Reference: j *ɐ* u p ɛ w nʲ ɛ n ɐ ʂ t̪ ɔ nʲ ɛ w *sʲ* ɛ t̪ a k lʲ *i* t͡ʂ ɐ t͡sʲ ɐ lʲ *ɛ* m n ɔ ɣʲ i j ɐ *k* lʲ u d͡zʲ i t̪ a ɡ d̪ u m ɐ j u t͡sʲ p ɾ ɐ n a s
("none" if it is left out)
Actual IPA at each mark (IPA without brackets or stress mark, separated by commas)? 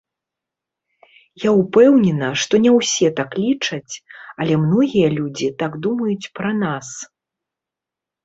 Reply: a, sʲ, i, ɛ, none